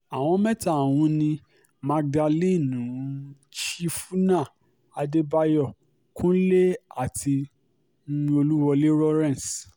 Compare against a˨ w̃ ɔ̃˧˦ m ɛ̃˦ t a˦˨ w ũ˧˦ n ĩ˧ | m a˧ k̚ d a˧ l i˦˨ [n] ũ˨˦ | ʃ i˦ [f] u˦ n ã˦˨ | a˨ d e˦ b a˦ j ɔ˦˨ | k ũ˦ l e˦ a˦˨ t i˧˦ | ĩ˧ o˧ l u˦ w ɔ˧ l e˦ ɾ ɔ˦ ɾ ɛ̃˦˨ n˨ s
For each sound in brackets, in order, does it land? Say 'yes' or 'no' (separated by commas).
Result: yes, yes